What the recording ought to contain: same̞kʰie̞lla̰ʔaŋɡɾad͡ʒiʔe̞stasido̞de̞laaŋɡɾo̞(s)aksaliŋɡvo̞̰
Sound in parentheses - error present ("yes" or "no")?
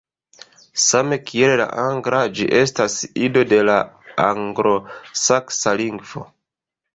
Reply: no